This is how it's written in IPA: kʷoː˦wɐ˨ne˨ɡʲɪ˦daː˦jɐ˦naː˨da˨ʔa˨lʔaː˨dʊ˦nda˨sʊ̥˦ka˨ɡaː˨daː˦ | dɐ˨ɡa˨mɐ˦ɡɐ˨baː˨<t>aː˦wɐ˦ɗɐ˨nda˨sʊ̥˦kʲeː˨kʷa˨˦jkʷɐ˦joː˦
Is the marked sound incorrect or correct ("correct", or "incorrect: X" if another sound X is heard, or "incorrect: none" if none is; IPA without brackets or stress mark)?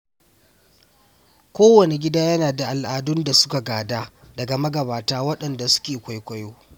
correct